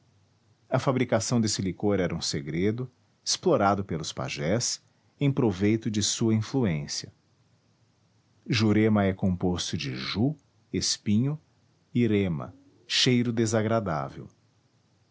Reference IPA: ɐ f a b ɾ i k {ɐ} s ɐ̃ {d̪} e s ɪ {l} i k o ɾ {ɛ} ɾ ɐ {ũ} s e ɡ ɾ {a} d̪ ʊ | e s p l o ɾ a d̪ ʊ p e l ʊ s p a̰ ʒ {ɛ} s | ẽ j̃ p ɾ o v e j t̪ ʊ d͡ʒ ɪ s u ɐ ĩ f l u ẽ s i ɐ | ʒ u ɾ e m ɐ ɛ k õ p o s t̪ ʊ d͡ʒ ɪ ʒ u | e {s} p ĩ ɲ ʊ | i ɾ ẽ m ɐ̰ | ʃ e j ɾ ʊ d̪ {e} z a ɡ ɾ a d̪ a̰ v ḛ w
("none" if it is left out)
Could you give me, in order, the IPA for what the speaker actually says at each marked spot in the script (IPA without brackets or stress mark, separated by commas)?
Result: a, d̪, l, ɛ, ũ, e, ɛ, s, e